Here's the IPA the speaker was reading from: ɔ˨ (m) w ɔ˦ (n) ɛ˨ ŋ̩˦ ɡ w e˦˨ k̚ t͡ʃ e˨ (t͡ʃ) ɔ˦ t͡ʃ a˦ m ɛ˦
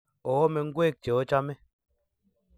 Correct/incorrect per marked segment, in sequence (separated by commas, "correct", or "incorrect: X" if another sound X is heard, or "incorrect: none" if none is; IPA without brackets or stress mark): incorrect: none, incorrect: m, incorrect: none